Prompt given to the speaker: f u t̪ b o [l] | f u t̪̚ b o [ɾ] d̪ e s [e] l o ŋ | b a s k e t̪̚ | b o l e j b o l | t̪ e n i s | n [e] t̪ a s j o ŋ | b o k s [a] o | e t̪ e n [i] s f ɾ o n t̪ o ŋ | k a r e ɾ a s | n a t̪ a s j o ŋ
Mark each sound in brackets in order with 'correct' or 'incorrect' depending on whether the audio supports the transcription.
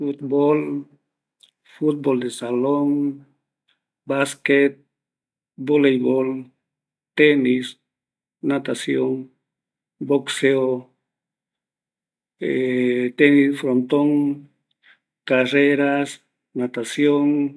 correct, incorrect, incorrect, incorrect, incorrect, correct

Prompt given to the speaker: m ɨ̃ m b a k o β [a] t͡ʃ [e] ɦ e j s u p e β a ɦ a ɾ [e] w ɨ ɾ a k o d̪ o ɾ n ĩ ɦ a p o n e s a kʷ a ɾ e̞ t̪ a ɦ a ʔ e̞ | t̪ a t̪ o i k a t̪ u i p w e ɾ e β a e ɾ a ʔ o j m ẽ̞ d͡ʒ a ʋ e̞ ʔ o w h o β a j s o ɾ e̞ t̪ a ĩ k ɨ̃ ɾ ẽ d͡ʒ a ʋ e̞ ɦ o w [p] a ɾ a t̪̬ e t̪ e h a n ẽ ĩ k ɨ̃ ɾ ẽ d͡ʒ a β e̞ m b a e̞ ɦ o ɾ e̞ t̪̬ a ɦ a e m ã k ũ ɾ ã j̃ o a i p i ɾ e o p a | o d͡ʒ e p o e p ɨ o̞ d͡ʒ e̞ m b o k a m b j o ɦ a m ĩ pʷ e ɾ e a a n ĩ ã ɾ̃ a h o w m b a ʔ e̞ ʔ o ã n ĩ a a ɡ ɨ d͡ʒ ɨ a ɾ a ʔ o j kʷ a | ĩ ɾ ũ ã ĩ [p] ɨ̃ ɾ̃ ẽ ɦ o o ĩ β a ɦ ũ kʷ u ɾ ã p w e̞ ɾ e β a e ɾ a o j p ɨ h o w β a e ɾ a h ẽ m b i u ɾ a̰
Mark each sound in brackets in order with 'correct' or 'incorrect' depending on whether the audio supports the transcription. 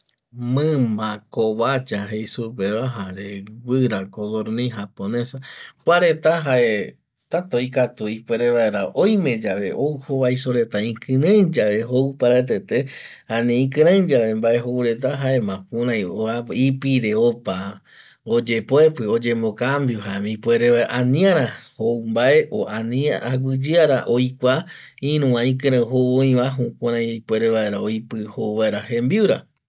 correct, incorrect, correct, correct, incorrect

